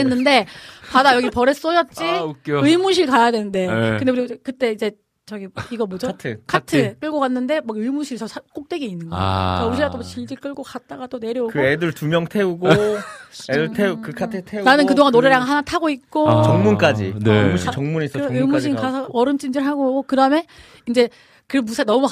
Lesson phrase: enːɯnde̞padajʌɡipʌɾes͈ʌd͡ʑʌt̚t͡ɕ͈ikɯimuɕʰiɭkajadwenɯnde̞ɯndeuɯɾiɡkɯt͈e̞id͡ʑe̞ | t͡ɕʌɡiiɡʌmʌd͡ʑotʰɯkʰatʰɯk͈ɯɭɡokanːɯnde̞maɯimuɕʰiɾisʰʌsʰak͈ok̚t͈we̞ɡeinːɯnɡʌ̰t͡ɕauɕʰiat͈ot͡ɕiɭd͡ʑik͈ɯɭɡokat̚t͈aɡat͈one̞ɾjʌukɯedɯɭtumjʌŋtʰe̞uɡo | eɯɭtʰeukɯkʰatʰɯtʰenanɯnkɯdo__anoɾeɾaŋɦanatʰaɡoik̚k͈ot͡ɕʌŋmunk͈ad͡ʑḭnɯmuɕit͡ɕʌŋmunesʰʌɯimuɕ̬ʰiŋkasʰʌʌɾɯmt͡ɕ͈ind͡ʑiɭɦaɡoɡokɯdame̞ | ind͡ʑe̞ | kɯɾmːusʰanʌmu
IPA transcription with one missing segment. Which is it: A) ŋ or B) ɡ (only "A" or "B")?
A